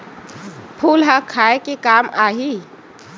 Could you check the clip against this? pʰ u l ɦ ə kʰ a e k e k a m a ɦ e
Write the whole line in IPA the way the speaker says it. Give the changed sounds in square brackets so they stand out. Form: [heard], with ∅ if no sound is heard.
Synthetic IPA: pʰ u l ɦ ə kʰ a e k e k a m a ɦ [i]